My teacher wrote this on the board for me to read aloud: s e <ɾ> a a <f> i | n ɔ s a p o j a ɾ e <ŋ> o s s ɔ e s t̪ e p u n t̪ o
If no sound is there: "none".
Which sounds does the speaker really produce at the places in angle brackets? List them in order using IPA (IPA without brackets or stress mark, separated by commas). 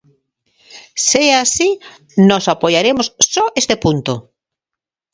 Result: none, s, m